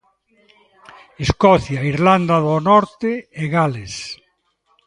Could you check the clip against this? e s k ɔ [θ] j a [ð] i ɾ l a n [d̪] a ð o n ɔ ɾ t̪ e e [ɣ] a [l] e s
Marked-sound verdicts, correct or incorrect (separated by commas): correct, incorrect, correct, correct, correct